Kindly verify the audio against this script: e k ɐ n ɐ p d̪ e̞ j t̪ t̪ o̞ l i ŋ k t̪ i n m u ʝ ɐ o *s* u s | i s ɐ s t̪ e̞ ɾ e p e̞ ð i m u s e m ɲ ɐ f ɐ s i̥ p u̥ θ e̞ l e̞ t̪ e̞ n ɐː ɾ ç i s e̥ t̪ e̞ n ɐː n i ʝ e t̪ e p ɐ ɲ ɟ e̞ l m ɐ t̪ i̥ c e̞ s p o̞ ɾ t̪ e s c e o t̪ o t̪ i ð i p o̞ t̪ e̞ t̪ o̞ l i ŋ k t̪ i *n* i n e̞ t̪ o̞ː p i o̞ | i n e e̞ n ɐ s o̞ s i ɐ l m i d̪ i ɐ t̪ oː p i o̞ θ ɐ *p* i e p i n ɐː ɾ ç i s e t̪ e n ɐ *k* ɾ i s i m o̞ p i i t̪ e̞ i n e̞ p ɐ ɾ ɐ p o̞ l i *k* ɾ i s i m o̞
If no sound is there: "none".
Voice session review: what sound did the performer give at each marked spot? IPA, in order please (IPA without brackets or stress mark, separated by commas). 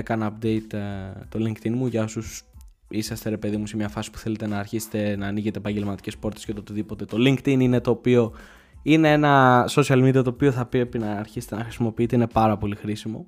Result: s, n, p, x, x